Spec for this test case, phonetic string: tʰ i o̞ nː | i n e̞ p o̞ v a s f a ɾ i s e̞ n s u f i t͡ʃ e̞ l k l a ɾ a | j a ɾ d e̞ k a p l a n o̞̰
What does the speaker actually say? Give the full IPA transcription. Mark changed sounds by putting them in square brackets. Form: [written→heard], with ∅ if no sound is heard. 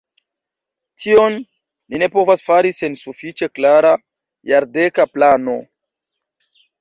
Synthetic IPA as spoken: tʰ i o̞ nː | i n e̞ p o̞ v a s f a ɾ i s e̞ n s u f i t͡ʃ e̞ [l→∅] k l a ɾ a | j a ɾ d e̞ k a p l a n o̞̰